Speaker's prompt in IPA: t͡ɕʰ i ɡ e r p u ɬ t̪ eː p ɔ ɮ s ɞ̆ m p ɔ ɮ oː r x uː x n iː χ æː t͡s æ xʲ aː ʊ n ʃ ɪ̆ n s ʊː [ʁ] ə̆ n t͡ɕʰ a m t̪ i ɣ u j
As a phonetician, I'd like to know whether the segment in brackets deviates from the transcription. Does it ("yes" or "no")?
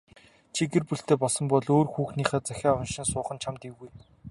yes